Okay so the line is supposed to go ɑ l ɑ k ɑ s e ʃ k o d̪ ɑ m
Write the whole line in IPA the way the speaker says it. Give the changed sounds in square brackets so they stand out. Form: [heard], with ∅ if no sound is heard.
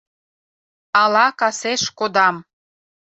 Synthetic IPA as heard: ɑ l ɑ k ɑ s e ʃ k o d̪ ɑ m